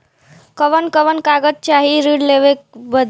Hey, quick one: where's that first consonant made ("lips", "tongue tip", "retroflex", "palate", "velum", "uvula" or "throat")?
velum